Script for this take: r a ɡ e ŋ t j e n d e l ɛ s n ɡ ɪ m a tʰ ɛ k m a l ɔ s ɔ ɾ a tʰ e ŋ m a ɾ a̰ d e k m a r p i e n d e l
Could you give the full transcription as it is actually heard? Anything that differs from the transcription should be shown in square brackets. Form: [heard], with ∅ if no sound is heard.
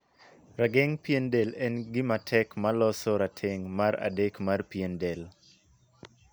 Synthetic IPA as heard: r a ɡ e ŋ [p] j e n d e l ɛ [∅] n ɡ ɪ m a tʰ ɛ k m a l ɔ s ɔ ɾ a tʰ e ŋ m a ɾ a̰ d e k m a r p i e n d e l